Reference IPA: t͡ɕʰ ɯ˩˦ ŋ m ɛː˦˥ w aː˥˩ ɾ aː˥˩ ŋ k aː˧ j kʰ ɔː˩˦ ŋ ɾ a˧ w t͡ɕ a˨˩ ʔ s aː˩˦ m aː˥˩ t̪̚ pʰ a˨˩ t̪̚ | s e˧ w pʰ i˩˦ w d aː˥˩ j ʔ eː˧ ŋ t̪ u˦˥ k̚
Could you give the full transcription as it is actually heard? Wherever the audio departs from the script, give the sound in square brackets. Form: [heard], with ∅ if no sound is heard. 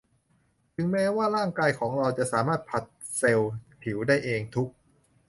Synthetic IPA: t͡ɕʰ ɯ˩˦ ŋ m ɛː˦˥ w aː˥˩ ɾ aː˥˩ ŋ k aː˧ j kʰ ɔː˩˦ ŋ ɾ a˧ w t͡ɕ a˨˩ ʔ s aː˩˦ m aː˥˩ t̪̚ pʰ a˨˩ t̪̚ | s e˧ w pʰ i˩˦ w d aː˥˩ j ʔ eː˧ ŋ [t̪ʰ] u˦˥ k̚